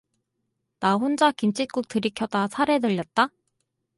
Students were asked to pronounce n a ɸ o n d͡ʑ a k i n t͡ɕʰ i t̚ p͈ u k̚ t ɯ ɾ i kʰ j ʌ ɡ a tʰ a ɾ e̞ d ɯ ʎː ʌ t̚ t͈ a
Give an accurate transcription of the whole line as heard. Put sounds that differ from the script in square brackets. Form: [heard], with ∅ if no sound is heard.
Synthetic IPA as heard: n a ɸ o n d͡ʑ a k i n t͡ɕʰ i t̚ [k͈] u k̚ t ɯ ɾ i kʰ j ʌ [d] a [sʰ] a ɾ e̞ d ɯ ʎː ʌ t̚ t͈ a